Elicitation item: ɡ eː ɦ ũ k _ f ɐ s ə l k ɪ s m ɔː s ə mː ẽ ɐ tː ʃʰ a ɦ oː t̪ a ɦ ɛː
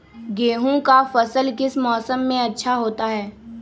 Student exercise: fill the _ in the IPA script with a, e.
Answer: a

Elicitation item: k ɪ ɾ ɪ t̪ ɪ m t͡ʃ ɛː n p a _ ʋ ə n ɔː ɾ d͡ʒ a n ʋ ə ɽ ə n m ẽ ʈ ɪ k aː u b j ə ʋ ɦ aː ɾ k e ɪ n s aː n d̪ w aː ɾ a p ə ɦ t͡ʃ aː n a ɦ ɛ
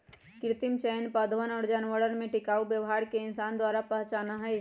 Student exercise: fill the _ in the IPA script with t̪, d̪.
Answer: d̪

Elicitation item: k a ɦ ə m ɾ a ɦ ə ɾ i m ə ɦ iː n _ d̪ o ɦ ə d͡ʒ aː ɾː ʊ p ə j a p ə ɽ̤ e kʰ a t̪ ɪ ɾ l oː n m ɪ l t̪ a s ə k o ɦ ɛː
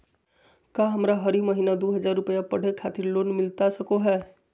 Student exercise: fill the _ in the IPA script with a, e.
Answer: a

